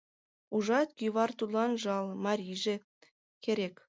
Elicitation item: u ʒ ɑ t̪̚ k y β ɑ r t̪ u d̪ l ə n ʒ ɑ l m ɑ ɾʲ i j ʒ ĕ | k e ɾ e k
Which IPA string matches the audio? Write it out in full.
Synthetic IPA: u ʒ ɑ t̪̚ k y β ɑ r t̪ u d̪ l ɑ n ʒ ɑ l m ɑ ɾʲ i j ʒ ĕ | k e ɾ e k

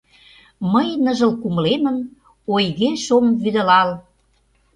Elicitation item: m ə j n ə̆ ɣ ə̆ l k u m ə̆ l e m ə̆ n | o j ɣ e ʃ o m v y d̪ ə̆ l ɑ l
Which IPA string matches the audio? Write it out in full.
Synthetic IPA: m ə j n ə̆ ʒ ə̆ l k u m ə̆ l e m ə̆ n | o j ɣ e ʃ o m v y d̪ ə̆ l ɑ l

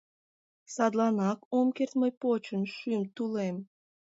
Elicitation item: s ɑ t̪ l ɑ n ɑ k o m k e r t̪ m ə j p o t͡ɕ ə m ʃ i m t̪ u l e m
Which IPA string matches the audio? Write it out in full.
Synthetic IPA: s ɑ d̪ l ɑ n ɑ k o m k e r t̪ m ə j p o t͡ɕ ə n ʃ y m t̪ u l e m

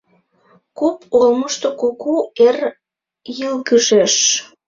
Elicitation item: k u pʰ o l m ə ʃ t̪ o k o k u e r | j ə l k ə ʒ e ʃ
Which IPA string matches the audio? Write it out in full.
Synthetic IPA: k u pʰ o l m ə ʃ t̪ o k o k u e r | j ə l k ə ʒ e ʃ

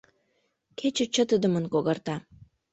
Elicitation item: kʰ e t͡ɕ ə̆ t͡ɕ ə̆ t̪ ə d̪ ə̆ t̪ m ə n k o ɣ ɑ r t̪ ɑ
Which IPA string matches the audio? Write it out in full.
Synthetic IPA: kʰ e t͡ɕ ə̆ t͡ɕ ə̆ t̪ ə d̪ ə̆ m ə n k o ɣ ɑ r t̪ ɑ

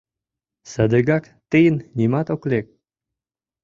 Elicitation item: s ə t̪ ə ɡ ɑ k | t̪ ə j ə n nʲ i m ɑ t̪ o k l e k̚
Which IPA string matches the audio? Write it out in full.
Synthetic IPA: s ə d̪ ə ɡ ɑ k | t̪ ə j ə n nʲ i m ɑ t̪ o k l e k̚

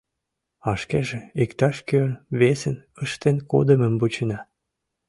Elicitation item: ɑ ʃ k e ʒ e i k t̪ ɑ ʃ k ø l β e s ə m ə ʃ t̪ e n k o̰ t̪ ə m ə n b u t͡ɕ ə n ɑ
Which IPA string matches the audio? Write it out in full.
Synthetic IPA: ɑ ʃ k e ʒ e i k t̪ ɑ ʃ k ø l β e s ə n ə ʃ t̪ e n k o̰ d̪ ə m ə m b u t͡ɕ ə n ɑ

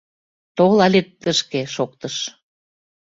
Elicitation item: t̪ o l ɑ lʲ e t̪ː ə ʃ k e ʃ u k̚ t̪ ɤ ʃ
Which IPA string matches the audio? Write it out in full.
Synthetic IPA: t̪ o l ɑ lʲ e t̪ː ə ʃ k e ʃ o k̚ t̪ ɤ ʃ

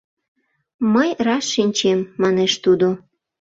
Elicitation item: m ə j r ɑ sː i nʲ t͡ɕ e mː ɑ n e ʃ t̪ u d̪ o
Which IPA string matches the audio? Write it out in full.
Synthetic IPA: m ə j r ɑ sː i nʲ t͡ɕ e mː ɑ n e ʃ t̪ u d̪ o

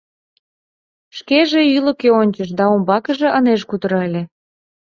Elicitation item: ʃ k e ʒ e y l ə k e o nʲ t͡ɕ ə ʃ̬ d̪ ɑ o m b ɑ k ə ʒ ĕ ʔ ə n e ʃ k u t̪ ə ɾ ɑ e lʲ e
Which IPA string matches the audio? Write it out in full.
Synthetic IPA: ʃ k e ʒ e y l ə k e o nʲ t͡ɕ ə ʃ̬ d̪ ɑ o m b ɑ k ə ʒ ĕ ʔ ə n e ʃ k u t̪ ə ɾ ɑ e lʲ e

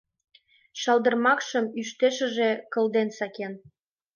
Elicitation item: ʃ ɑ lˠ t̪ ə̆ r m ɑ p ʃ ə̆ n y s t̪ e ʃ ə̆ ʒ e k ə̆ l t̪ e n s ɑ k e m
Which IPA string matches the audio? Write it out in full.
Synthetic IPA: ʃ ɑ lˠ d̪ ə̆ r m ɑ k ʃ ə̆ m y ʃ t̪ e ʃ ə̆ ʒ e k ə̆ l d̪ e n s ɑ k e n

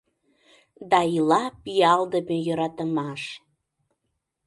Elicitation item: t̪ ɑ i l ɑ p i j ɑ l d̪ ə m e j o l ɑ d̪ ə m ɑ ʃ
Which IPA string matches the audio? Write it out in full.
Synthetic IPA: d̪ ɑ i l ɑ p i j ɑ l d̪ ə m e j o ɾ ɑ t̪ ə m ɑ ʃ

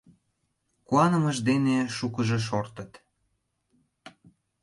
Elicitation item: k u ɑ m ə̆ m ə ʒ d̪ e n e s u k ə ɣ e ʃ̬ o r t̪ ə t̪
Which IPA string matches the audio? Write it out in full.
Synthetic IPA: k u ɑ n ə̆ m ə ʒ d̪ e n e ʃ u k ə ʒ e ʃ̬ o r t̪ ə t̪

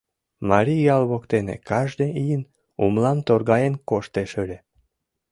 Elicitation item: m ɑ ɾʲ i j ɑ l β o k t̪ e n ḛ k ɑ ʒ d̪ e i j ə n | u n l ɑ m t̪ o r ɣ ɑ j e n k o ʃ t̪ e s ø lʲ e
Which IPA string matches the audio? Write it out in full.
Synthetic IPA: m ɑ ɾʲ i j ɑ l β o k t̪ e n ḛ k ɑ ʒ d̪ e i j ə n | u m l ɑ m t̪ o r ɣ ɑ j e n k o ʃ t̪ e ʃ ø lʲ e

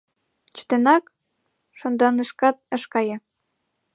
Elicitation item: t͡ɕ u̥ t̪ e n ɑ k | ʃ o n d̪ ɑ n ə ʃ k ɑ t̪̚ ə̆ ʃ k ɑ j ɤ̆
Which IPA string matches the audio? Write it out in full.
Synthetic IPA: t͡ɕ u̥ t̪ e n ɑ k | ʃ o n d̪ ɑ n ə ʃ k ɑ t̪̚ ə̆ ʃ k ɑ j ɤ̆

